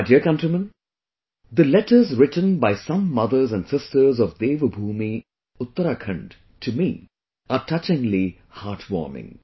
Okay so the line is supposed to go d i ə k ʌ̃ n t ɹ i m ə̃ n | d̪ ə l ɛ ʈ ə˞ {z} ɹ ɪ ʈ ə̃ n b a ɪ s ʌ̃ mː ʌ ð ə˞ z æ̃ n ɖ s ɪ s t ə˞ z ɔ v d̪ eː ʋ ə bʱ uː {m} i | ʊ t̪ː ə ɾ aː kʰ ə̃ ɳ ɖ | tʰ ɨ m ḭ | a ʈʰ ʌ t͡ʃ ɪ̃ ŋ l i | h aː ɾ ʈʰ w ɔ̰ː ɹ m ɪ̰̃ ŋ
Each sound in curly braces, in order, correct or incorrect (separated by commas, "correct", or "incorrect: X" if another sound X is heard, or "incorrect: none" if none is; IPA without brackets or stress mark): correct, correct